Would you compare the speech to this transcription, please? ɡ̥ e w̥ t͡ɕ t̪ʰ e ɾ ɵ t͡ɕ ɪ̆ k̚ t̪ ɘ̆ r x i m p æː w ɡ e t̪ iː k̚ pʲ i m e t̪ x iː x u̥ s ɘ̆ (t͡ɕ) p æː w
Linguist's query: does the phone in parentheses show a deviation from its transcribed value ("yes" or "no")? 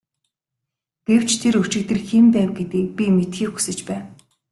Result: no